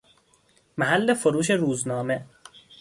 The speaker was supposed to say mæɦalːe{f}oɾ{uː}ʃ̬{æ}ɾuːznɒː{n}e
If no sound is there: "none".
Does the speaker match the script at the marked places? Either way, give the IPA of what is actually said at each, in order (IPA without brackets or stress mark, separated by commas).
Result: f, uː, e, m